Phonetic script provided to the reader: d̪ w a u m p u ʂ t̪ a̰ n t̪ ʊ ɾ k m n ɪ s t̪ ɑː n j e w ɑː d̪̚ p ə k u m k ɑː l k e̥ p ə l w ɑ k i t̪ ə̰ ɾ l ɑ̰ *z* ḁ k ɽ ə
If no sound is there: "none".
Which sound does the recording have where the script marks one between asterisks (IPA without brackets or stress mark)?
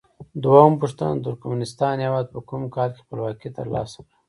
s